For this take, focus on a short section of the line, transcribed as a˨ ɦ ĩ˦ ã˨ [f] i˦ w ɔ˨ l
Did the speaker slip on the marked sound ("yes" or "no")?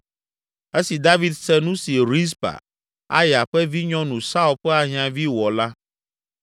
yes